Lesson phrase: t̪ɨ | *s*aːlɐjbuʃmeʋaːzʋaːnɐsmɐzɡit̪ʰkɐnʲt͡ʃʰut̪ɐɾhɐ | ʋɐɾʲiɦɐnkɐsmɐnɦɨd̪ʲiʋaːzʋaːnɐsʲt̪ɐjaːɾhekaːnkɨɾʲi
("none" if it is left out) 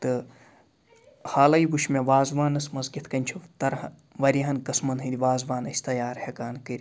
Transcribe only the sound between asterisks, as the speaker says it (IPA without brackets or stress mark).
h